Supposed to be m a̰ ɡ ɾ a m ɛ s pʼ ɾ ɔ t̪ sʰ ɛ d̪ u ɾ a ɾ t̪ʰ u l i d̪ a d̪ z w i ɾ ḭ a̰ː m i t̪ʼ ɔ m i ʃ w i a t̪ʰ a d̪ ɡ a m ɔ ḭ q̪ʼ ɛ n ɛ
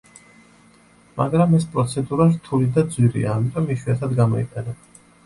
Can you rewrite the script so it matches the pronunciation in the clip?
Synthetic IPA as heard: m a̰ ɡ ɾ a m ɛ s pʼ ɾ ɔ t̪ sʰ ɛ d̪ u ɾ a ɾ t̪ʰ u l i d̪ a d̪ z w i ɾ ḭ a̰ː m i t̪ʼ ɔ m i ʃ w i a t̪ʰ a d̪ ɡ a m ɔ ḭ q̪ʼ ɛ n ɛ